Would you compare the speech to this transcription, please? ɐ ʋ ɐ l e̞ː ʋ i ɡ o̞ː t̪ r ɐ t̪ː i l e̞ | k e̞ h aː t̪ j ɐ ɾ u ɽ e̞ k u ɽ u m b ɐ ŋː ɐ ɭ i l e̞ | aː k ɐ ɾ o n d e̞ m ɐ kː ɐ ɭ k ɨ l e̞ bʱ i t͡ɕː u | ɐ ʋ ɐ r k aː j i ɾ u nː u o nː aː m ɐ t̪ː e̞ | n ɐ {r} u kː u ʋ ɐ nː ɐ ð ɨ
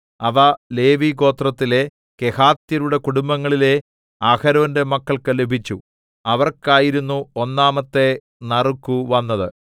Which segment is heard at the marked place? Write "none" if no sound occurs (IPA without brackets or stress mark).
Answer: r